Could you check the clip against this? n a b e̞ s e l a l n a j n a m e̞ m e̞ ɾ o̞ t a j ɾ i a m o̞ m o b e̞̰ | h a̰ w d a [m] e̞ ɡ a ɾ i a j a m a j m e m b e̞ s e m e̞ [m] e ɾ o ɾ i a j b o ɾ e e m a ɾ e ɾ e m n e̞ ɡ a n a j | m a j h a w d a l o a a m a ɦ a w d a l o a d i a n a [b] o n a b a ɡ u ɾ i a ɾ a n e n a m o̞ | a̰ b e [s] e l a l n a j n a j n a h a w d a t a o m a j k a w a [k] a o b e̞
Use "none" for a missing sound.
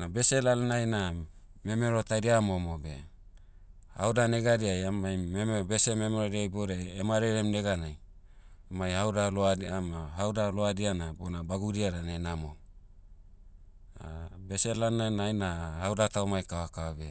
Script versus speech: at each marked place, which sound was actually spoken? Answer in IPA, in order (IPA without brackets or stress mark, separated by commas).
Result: n, m, b, s, k